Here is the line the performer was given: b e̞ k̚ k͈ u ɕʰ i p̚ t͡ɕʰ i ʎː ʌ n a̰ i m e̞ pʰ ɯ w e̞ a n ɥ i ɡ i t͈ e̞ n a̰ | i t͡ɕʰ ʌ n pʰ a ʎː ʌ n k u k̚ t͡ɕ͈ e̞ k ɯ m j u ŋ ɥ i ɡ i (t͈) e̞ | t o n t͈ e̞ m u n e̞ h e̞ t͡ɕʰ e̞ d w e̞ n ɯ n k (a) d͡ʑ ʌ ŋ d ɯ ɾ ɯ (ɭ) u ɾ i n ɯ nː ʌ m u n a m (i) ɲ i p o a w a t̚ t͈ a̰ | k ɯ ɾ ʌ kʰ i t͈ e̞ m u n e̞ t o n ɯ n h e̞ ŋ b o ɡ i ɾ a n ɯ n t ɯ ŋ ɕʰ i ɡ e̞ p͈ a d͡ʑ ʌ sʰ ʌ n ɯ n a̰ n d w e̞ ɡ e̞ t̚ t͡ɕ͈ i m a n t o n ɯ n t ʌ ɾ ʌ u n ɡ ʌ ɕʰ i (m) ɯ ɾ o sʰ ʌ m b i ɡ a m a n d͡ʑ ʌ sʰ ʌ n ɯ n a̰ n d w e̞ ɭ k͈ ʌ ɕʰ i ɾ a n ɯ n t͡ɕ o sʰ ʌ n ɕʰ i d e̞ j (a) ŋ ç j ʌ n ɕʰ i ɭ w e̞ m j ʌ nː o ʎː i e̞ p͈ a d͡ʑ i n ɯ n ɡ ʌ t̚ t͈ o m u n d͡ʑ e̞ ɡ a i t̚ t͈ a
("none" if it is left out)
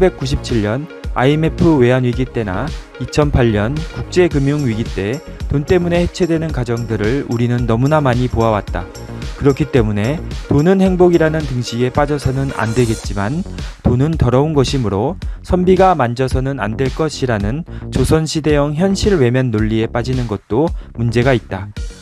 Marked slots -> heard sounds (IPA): t͈, a, ɭ, a, m, ʌ

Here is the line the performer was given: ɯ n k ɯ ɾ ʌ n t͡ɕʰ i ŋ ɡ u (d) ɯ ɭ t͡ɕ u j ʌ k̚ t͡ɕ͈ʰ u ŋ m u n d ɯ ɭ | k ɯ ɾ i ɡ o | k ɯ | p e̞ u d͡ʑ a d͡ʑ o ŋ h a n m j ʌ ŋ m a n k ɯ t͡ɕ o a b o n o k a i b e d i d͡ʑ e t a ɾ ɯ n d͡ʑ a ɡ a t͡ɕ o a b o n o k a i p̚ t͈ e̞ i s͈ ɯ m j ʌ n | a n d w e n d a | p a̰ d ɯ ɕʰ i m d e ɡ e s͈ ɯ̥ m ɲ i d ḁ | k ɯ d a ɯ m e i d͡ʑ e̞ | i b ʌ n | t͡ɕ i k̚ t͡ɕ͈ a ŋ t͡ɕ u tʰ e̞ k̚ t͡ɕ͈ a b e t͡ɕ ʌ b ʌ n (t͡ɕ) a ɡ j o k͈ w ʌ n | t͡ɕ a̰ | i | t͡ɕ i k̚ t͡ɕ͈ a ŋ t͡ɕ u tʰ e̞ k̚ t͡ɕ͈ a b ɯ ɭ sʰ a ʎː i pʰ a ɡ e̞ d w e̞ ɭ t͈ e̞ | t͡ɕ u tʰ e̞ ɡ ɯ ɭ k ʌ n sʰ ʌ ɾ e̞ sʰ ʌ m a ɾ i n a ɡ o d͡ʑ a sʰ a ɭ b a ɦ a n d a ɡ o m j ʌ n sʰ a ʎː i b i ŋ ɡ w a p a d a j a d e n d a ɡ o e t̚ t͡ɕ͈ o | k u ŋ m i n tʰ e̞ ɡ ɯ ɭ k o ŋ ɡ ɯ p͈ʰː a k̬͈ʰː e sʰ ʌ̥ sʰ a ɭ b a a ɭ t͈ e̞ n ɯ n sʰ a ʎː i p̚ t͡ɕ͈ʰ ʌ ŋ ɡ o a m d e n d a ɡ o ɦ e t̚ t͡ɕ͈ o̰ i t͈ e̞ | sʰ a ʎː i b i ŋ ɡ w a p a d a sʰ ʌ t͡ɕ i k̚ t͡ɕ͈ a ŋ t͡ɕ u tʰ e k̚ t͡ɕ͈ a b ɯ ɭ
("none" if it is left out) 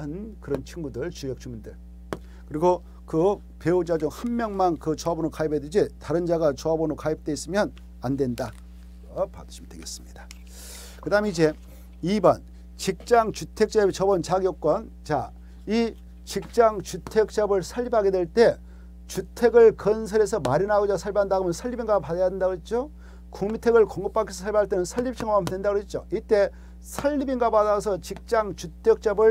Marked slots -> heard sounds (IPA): d, t͡ɕ

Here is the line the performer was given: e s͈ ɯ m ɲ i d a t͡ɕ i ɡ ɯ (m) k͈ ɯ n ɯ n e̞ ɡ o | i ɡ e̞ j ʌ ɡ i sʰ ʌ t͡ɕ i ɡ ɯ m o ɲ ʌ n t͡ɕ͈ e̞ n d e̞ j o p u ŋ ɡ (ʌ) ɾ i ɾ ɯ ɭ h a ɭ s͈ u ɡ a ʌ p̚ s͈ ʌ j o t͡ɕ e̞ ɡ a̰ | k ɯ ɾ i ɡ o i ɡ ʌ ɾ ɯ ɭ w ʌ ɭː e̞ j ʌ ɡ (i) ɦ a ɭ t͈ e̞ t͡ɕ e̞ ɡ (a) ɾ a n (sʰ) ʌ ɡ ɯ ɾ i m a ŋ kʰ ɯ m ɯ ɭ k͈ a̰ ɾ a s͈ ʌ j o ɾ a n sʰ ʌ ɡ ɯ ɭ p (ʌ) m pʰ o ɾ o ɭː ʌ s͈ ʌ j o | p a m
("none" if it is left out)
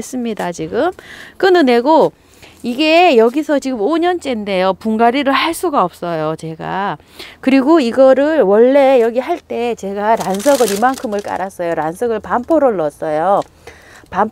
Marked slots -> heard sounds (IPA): m, a, i, a, sʰ, a

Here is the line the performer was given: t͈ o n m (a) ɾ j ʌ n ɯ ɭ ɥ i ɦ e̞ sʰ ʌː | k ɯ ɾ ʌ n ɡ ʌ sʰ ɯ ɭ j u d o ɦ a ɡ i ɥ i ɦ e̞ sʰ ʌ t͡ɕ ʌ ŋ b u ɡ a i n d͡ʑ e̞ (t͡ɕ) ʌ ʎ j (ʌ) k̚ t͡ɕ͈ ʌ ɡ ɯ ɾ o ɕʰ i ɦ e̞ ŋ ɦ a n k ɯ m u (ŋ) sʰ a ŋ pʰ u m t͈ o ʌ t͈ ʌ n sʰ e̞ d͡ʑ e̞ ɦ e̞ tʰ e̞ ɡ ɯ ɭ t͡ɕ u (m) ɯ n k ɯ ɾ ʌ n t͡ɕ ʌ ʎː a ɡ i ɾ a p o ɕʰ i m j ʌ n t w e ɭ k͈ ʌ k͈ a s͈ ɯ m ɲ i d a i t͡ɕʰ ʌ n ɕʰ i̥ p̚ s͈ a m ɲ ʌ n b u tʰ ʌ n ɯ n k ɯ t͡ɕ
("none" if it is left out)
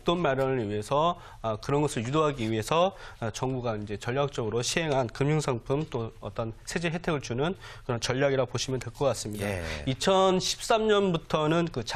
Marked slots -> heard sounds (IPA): a, t͡ɕ, a, ŋ, n

